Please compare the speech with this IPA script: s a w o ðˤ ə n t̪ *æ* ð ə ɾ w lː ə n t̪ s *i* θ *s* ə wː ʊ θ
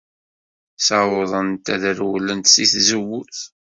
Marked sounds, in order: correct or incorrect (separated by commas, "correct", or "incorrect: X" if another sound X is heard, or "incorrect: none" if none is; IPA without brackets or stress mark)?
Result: correct, correct, incorrect: z